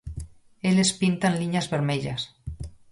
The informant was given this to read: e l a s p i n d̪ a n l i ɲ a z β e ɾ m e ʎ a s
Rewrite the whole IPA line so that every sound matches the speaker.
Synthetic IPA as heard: e l e s p i n t̪ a n l i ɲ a z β e ɾ m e ʎ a s